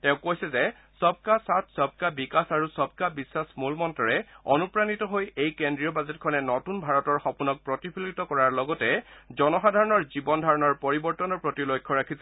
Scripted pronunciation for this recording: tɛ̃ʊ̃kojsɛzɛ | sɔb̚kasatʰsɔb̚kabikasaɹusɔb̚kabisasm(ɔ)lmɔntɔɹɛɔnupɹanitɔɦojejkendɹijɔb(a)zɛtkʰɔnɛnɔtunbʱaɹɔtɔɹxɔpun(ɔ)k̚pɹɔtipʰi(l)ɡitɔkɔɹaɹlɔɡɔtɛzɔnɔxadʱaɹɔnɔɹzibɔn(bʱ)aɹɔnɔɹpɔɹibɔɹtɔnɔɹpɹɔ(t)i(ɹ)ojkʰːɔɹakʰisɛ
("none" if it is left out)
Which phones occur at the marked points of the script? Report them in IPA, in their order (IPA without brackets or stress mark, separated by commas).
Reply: u, a, ɔ, l, dʱ, t, l